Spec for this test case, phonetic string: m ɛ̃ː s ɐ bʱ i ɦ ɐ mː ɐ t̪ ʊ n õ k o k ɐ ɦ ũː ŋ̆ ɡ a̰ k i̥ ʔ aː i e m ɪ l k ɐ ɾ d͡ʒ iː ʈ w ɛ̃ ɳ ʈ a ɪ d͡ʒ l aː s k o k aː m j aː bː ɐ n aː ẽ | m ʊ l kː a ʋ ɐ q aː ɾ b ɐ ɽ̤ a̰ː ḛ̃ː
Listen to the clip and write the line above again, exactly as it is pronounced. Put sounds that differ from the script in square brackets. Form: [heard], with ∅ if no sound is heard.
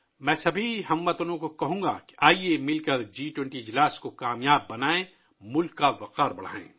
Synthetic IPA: m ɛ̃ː s ɐ bʱ i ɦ ɐ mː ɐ t̪ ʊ n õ k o k ɐ ɦ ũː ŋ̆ ɡ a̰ k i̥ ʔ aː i e m ɪ l k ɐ ɾ d͡ʒ iː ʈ w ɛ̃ ɳ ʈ [i] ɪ d͡ʒ l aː s k o k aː m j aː bː ɐ n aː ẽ | m ʊ l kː a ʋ ɐ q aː ɾ b ɐ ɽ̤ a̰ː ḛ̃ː